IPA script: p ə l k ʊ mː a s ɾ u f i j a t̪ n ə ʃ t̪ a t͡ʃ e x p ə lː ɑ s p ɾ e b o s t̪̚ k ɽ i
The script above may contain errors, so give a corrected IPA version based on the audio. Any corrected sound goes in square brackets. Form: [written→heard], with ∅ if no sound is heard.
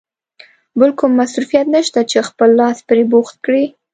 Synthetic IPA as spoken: [p→b] ə l k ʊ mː a s ɾ u f i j a t̪ n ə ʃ t̪ a t͡ʃ e x p ə lː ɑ s p ɾ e b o [s→x] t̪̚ k ɽ i